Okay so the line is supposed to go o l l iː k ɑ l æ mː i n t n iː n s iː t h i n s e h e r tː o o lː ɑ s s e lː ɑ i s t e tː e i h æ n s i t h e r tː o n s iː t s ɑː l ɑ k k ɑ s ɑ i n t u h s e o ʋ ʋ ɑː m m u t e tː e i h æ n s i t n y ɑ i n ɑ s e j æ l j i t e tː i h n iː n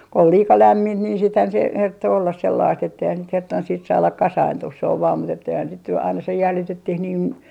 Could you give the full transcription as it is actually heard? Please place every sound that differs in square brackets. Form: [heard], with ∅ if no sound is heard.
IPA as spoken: o l l iː k ɑ l æ mː i n t n iː n s iː t h [æ] n s e h e r tː o o lː ɑ s s e lː ɑ i s t e tː e i h æ n s i t h e r tː o n s iː t s ɑː l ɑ k k ɑ s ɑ i n t u h s e o ʋ ʋ ɑː m m u t e tː e i h æ n s i t n y ɑ i n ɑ s e j æ l j i t e tː i h n iː n